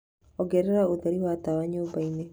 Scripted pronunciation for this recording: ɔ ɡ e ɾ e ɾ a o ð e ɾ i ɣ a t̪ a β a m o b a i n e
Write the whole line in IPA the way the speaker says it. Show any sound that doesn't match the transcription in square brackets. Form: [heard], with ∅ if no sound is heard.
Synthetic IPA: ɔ ɡ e ɾ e ɾ a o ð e ɾ i [w] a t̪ a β a [ɲ] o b a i n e